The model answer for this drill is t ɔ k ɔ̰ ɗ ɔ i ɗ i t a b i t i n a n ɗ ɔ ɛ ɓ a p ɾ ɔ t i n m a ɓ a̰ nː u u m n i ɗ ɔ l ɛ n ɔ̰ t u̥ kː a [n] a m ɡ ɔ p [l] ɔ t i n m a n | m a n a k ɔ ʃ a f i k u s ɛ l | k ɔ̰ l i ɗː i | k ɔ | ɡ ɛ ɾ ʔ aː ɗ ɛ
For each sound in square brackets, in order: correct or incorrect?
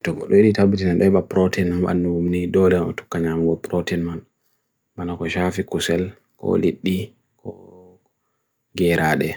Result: incorrect: ɲ, incorrect: ɾ

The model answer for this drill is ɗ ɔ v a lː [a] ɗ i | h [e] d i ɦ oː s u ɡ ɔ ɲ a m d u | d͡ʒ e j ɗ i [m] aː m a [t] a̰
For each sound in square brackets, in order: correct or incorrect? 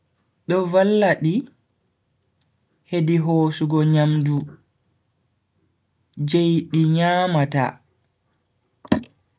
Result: correct, correct, incorrect: ɲ, correct

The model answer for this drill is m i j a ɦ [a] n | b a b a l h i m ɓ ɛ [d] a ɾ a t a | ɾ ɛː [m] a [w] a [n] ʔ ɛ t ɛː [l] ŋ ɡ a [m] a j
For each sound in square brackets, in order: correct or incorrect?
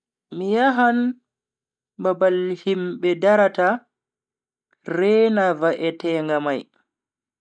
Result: correct, correct, incorrect: n, incorrect: v, incorrect: none, incorrect: none, correct

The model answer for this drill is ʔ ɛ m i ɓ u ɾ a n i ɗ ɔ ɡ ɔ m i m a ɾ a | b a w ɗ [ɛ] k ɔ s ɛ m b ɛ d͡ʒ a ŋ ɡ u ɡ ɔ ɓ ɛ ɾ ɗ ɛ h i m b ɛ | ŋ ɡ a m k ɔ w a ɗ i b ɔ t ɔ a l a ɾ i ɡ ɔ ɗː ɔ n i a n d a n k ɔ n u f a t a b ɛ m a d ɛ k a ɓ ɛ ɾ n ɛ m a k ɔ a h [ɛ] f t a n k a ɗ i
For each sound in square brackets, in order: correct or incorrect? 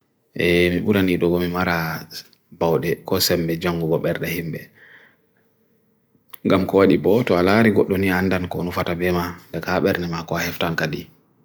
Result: correct, correct

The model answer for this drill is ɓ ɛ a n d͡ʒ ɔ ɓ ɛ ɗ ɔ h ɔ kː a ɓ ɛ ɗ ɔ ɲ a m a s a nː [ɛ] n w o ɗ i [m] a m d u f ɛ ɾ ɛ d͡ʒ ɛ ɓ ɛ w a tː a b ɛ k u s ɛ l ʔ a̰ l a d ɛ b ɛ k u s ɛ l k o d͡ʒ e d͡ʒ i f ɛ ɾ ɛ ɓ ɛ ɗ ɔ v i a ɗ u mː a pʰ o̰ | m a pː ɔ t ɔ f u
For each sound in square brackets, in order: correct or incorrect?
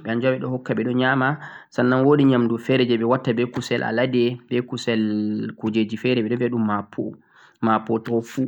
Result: incorrect: a, incorrect: ɲ

